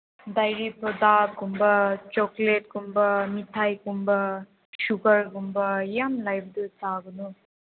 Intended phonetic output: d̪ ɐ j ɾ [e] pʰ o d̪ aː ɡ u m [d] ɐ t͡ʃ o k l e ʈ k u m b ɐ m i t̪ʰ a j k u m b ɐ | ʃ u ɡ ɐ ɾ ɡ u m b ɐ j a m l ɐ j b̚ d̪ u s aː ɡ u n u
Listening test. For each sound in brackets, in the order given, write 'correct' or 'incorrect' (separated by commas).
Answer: incorrect, incorrect